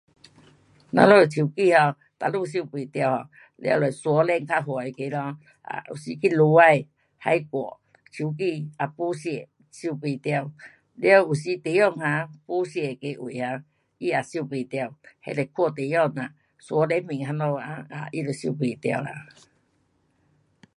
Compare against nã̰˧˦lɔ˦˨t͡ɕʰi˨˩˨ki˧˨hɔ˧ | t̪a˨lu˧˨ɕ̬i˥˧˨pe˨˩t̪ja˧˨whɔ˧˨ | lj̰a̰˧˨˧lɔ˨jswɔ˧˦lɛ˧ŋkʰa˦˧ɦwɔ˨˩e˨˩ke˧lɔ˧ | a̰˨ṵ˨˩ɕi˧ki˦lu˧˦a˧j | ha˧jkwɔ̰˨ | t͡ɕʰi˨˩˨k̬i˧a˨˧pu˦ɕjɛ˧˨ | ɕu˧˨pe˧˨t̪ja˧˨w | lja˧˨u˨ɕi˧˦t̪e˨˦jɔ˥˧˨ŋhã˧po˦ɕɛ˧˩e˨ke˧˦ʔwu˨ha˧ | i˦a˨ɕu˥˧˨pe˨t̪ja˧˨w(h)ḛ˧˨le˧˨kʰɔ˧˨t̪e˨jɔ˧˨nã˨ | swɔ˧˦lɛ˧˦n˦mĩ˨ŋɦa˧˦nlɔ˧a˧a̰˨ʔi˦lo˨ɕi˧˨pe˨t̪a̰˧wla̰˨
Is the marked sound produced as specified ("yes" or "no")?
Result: yes